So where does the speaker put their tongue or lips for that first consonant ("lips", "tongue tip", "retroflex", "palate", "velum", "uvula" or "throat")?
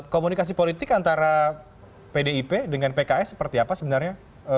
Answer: velum